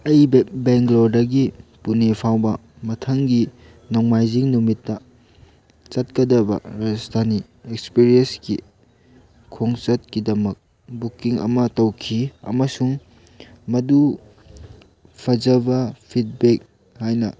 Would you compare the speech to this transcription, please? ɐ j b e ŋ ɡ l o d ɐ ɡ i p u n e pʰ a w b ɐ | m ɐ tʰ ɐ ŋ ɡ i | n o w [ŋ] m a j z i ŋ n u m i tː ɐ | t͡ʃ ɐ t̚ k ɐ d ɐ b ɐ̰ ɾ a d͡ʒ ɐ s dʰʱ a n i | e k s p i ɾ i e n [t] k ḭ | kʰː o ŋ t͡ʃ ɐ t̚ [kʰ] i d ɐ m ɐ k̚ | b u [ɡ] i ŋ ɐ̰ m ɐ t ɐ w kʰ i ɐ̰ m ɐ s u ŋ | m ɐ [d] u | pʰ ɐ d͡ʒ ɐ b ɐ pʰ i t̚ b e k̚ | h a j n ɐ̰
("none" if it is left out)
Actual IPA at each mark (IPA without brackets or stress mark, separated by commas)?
ŋ, s, k, k, d